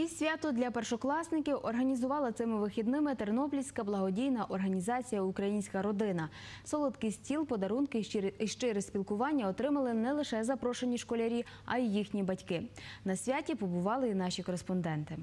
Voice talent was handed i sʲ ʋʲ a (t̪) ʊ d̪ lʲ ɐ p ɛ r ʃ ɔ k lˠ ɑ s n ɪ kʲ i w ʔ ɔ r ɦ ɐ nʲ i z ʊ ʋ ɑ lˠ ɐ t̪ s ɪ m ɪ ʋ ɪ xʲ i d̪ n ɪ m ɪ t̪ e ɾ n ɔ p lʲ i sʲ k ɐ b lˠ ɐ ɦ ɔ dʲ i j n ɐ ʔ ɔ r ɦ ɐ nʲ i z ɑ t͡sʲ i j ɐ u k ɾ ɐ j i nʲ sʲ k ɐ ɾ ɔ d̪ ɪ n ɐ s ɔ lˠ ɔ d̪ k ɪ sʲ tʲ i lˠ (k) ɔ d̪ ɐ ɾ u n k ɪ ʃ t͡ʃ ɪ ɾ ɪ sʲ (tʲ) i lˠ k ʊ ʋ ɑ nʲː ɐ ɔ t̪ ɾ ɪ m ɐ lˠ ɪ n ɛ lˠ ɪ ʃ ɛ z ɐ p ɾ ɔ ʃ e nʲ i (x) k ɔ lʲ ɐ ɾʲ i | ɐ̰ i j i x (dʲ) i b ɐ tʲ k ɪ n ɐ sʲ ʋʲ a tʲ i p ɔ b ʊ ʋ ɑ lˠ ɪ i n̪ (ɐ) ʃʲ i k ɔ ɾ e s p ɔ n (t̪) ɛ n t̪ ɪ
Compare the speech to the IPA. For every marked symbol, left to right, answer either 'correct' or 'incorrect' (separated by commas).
correct, incorrect, incorrect, incorrect, incorrect, incorrect, incorrect